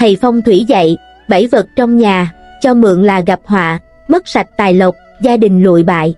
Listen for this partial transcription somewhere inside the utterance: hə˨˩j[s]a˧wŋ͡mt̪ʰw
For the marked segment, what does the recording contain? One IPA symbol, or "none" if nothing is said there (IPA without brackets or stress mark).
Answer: f